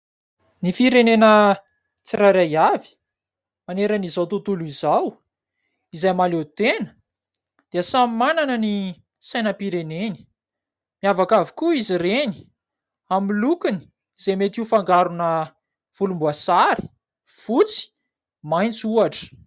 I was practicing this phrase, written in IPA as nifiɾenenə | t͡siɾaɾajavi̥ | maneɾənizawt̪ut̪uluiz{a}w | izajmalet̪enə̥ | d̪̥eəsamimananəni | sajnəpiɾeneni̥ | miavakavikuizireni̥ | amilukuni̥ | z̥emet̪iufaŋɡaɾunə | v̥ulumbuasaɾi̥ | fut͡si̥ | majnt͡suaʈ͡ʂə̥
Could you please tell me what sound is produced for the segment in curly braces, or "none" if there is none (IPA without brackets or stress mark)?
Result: a